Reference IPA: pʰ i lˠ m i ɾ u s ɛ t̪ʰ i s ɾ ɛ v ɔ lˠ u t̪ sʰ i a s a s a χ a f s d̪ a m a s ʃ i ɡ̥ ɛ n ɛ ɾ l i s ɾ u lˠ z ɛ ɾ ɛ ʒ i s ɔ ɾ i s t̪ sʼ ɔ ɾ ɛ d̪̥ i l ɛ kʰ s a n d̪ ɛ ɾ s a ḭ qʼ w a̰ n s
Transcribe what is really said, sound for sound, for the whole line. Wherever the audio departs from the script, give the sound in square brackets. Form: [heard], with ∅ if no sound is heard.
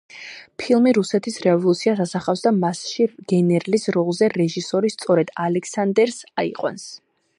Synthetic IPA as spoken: pʰ i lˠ m i ɾ u s ɛ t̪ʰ i s ɾ ɛ v ɔ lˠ u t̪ sʰ i a s a s a χ a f s d̪ a m a s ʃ i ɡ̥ ɛ n ɛ ɾ l i s ɾ [ɔ] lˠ z ɛ ɾ ɛ ʒ i s ɔ ɾ i s t̪ sʼ ɔ ɾ ɛ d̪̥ [a] l ɛ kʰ s a n d̪ ɛ ɾ s a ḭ qʼ w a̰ n s

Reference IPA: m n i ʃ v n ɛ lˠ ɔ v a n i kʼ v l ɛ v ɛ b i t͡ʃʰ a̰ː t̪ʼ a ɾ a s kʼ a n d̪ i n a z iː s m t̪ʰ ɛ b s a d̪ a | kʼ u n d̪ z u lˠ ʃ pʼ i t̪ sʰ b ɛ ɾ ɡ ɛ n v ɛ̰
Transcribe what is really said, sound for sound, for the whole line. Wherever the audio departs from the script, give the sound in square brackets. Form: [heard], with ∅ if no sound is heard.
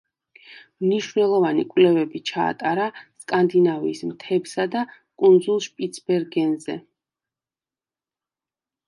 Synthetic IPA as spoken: m n i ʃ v n ɛ lˠ ɔ v a n i kʼ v l ɛ v ɛ b i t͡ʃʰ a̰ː t̪ʼ a ɾ a s kʼ a n d̪ i n a [v] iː s m t̪ʰ ɛ b s a d̪ a | kʼ u n d̪ z u lˠ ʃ pʼ i t̪ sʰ b ɛ ɾ ɡ ɛ n [z] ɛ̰

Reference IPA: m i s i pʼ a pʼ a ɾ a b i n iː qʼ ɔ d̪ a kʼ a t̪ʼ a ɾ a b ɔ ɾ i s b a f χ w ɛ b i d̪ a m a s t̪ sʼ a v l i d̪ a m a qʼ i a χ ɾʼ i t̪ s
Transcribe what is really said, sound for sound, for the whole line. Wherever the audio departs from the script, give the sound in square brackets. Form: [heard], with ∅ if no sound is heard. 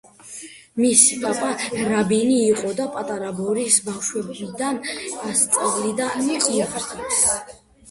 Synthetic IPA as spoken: m i s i pʼ a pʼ a ɾ a b i n iː qʼ ɔ d̪ a [pʼ] a t̪ʼ a ɾ a b ɔ ɾ i s b a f [ʃ] w ɛ b i d̪ a [n] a s t̪ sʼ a v l i d̪ a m [i] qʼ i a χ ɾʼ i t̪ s

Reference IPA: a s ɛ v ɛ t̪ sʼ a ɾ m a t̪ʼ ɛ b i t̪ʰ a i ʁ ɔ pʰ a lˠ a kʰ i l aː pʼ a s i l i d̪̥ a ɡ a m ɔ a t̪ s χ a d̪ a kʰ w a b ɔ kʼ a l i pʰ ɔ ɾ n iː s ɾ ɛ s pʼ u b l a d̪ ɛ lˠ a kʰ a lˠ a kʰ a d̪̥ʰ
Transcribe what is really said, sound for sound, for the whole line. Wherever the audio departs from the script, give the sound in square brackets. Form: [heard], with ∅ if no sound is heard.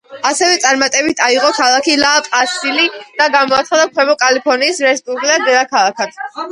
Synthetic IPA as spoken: a s ɛ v ɛ t̪ sʼ a ɾ m a t̪ʼ ɛ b i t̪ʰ a i ʁ ɔ [kʰ] a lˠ a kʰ i l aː pʼ a s i l i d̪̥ a ɡ a m ɔ a t̪ s χ a d̪ a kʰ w [ɛ] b ɔ kʼ a l i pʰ ɔ ɾ n iː s ɾ ɛ s pʼ u b l a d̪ ɛ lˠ a kʰ a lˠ a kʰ a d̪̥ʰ

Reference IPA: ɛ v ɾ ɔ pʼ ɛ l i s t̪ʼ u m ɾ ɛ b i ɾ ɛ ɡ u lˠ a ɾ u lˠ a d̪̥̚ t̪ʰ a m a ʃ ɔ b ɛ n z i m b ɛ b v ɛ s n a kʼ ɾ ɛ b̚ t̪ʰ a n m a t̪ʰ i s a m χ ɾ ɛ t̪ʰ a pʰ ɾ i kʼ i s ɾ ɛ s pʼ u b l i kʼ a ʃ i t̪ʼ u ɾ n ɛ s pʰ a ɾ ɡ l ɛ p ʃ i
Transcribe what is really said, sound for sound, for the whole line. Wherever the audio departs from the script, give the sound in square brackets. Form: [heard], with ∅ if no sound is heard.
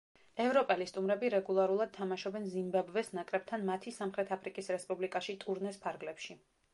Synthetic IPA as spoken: ɛ v ɾ ɔ pʼ ɛ l i s t̪ʼ u m ɾ ɛ b i ɾ ɛ ɡ u lˠ a ɾ u lˠ a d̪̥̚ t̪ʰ a m a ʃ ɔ b ɛ n z i m b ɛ b v ɛ s n a kʼ ɾ ɛ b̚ t̪ʰ a n m a t̪ʰ i s a m χ ɾ ɛ t̪ʰ a pʰ ɾ i kʼ i s ɾ ɛ s pʼ u b l i kʼ a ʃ i t̪ʼ u ɾ n ɛ s pʰ a ɾ ɡ l ɛ p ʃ i

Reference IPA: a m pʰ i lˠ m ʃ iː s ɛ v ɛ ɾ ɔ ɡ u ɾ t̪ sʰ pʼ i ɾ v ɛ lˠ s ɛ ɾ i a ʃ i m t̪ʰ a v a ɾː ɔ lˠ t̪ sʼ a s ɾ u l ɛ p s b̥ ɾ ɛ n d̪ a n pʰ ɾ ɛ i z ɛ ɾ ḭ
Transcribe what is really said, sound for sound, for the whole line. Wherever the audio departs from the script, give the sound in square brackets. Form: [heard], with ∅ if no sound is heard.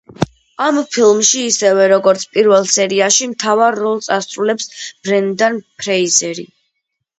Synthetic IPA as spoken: a m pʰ i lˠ m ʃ iː s ɛ v ɛ ɾ ɔ ɡ [ɔ] ɾ t̪ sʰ pʼ i ɾ v ɛ lˠ s ɛ ɾ i a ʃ i m t̪ʰ a v a ɾː ɔ lˠ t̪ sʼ a s ɾ u l ɛ p s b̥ ɾ ɛ n d̪ a n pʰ ɾ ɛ i z ɛ ɾ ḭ

